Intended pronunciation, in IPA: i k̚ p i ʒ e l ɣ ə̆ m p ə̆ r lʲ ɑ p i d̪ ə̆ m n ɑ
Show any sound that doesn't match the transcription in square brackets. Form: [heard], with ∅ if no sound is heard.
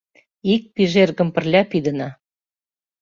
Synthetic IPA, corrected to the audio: i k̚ p i ʒ e [r] ɣ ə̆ m p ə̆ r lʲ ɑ p i d̪ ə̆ [∅] n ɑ